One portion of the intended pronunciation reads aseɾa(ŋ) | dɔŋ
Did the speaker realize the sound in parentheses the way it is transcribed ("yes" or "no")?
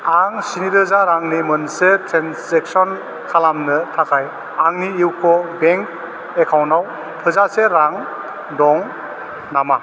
yes